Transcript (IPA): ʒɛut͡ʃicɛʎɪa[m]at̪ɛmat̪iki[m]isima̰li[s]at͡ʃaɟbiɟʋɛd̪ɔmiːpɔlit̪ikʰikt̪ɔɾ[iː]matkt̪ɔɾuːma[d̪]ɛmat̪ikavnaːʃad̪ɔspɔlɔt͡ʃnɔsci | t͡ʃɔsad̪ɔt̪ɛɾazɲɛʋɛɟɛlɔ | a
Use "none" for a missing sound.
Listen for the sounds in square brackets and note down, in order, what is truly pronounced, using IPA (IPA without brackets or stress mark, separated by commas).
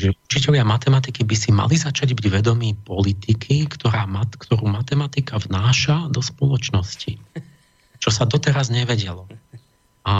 m, b, z, aː, t̪